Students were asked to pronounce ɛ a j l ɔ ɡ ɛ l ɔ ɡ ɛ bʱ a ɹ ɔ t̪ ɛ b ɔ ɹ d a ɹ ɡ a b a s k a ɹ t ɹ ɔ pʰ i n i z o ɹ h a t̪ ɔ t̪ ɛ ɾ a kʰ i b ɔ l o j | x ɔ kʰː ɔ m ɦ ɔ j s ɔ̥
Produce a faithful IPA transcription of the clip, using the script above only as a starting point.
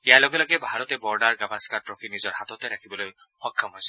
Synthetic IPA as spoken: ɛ a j l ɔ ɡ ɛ l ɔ ɡ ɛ bʱ a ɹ ɔ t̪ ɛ b ɔ ɹ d a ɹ ɡ a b a s k a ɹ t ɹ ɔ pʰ i n i z ɔ ɹ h a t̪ ɔ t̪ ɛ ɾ a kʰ i b ɔ l o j | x ɔ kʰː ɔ m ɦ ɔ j s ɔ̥